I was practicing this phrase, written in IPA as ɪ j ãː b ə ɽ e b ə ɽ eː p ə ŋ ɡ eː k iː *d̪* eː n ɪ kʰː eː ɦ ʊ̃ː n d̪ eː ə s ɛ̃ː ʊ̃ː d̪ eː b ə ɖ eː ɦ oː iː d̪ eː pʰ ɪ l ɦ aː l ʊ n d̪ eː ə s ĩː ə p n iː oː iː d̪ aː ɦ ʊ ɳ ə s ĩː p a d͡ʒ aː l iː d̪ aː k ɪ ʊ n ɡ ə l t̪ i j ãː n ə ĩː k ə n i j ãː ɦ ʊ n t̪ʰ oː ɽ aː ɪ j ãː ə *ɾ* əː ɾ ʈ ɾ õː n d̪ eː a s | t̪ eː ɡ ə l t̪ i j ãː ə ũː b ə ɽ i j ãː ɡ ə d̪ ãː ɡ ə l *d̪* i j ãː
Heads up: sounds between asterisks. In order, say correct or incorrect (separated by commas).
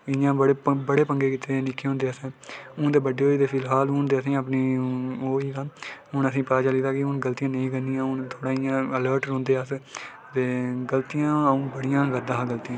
incorrect, incorrect, incorrect